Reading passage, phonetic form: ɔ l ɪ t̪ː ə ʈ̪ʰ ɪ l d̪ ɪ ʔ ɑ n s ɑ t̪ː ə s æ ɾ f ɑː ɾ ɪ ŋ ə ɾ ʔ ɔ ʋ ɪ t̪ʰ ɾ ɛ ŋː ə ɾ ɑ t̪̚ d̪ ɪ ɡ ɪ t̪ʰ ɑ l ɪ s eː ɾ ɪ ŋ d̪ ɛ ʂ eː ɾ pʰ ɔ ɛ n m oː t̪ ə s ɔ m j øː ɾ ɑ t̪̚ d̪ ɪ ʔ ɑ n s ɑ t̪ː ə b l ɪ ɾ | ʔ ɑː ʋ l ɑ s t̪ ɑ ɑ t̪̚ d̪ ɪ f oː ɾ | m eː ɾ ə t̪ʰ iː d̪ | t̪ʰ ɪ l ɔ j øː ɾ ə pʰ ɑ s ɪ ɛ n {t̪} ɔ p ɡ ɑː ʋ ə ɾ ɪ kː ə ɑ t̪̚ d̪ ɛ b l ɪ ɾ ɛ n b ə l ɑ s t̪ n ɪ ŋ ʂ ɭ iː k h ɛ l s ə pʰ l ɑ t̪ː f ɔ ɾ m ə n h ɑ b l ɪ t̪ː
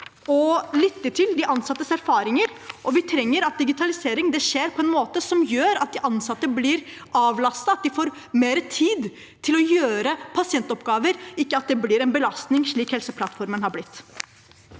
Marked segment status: correct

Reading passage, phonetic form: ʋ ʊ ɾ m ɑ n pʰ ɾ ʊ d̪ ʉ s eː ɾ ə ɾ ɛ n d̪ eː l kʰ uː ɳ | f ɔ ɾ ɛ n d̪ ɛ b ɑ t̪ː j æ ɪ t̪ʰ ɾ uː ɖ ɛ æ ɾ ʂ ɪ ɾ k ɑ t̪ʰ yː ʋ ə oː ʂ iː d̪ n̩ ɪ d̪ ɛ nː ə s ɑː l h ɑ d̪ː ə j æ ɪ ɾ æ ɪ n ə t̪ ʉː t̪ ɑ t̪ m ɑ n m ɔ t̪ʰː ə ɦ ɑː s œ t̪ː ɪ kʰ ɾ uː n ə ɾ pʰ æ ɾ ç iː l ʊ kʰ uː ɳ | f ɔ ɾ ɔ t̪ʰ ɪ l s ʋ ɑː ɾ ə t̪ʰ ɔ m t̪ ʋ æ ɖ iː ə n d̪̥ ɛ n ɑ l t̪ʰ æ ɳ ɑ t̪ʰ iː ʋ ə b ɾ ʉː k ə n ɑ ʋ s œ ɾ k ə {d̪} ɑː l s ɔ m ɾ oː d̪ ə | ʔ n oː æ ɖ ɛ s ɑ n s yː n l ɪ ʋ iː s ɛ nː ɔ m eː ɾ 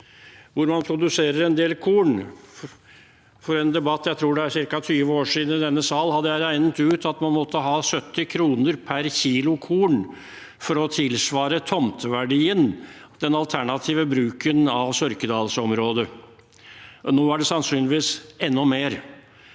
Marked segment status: correct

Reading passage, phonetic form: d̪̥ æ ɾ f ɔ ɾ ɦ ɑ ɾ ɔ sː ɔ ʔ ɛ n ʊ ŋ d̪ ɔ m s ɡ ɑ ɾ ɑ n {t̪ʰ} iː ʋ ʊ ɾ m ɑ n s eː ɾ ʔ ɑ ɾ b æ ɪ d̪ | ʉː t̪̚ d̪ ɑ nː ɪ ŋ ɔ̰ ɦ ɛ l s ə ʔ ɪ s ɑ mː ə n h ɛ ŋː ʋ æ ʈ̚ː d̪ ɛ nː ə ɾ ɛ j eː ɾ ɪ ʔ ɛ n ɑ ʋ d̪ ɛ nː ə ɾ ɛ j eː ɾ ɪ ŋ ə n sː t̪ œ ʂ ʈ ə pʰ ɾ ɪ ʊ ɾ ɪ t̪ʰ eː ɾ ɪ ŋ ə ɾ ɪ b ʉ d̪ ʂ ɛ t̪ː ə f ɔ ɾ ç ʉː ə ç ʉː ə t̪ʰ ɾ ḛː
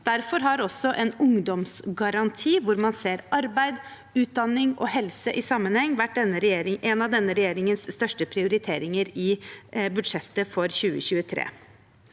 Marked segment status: correct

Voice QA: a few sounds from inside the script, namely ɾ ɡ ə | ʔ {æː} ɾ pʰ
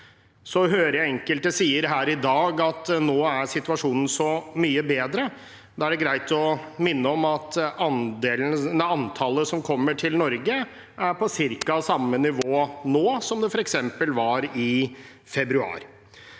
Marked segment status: incorrect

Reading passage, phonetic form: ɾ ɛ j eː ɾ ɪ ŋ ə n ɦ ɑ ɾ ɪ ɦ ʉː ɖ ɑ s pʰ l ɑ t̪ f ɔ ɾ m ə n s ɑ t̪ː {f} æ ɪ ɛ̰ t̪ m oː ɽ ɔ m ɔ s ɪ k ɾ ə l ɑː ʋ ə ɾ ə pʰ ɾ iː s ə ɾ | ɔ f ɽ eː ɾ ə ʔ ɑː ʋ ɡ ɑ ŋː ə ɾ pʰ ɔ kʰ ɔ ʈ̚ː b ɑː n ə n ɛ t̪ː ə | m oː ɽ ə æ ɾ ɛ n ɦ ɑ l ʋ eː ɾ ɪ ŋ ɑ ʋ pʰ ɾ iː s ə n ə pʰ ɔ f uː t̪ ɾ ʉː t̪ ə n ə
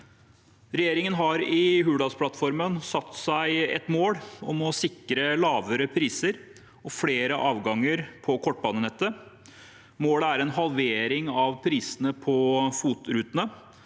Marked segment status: incorrect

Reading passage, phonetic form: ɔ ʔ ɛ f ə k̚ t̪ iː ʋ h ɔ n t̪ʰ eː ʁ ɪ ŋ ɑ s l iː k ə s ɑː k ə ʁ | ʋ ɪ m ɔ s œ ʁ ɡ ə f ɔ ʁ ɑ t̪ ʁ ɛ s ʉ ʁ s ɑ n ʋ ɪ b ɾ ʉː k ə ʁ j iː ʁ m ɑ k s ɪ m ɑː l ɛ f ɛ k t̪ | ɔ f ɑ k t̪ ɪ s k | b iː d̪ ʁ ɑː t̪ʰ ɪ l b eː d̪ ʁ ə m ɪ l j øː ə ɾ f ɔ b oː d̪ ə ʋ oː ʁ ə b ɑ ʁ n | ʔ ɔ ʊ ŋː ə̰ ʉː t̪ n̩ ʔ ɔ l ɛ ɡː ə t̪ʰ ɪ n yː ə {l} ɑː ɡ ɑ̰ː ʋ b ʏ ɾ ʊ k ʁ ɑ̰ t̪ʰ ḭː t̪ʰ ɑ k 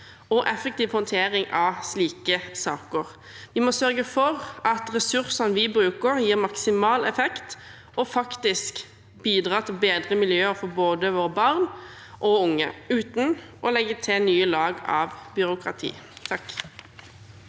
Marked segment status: correct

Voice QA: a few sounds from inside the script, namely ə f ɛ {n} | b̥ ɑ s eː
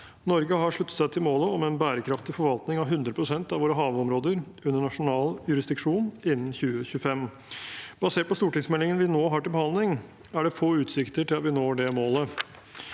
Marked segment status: incorrect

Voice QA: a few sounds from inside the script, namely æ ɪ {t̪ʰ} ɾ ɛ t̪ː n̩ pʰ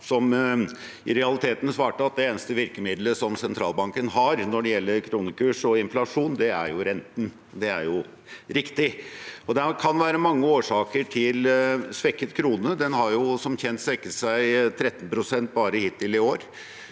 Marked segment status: correct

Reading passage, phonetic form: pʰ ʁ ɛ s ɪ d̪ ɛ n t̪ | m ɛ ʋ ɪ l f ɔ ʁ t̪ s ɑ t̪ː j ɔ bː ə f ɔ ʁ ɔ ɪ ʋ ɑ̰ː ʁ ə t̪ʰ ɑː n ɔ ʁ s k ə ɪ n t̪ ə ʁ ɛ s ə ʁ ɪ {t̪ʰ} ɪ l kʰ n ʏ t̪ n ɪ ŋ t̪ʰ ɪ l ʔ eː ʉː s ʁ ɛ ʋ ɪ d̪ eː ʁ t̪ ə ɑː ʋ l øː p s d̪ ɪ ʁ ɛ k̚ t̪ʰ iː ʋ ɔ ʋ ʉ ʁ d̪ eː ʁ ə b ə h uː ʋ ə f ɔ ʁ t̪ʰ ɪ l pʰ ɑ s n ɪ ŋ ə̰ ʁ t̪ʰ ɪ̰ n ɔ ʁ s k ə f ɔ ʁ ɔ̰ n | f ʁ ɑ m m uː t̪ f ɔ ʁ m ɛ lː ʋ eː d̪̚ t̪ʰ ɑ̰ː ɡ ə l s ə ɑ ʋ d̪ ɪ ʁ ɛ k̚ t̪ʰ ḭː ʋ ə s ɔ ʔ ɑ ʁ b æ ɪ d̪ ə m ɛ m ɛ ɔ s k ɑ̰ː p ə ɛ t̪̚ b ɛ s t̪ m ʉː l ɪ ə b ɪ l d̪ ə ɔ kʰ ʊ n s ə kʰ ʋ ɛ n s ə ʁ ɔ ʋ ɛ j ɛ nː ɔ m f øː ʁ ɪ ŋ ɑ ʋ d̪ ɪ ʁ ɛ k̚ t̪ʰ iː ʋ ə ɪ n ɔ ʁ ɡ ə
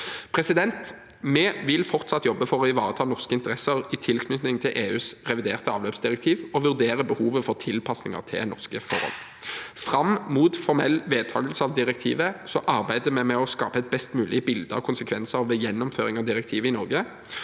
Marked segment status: correct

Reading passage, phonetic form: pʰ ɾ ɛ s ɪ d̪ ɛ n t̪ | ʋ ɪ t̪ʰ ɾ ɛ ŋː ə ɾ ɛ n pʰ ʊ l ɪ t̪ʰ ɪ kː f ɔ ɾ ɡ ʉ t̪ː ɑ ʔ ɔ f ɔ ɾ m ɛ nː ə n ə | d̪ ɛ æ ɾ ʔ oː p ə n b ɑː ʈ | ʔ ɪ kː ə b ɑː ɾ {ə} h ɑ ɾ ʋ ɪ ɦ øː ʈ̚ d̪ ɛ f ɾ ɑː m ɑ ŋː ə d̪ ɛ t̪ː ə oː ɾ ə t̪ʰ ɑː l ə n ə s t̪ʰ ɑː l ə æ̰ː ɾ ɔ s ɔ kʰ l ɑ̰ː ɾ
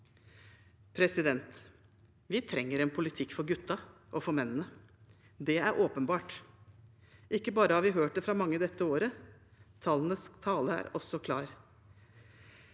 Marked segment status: correct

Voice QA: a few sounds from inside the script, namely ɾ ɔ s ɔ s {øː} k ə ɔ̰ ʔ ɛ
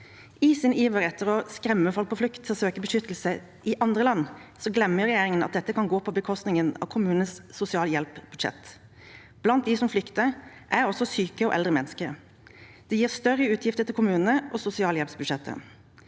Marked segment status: incorrect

